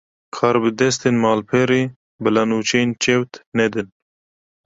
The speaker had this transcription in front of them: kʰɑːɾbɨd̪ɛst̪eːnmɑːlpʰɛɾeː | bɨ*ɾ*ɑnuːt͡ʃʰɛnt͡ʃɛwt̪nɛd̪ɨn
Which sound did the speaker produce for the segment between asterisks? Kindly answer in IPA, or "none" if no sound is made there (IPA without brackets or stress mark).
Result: l